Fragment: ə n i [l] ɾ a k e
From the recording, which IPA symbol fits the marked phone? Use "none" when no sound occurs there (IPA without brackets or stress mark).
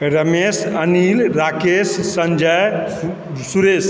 l